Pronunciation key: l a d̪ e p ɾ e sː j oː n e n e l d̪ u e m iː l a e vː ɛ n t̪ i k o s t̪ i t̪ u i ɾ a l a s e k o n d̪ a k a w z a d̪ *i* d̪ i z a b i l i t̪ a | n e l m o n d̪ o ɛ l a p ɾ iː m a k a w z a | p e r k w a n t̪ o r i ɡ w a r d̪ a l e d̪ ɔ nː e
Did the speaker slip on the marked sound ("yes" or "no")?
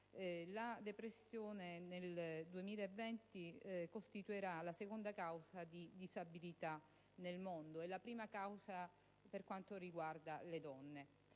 no